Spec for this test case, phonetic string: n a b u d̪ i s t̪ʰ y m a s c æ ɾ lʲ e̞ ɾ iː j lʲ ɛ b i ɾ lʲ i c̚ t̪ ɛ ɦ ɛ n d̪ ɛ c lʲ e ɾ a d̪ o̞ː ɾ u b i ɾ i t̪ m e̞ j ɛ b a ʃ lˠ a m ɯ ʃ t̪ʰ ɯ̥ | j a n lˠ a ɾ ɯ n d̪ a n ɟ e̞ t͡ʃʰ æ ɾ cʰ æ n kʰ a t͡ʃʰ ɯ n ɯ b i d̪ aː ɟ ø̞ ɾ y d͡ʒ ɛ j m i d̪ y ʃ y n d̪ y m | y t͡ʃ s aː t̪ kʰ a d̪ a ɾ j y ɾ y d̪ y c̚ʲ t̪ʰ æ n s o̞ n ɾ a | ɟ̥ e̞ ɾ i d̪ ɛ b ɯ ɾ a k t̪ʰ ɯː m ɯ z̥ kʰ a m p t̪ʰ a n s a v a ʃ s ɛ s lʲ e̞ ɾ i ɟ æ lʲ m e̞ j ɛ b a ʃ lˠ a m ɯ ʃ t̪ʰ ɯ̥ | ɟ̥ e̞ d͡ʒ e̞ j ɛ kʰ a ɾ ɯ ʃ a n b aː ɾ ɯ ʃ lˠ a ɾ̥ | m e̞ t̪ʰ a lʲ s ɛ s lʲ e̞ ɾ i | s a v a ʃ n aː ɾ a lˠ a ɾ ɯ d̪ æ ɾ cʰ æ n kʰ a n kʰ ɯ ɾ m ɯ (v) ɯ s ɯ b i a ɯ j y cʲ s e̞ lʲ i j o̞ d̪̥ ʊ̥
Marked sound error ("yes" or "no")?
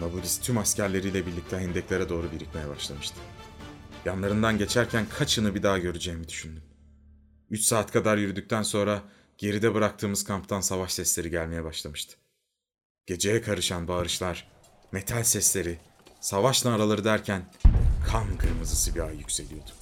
yes